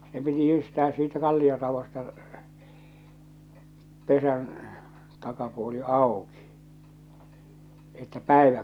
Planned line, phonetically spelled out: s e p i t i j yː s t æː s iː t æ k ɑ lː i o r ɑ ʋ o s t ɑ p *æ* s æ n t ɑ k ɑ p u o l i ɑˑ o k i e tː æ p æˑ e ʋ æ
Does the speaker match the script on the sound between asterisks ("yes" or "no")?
no